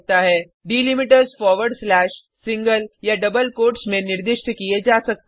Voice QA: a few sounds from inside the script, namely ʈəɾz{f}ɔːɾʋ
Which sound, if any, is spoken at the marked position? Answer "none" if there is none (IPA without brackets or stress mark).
f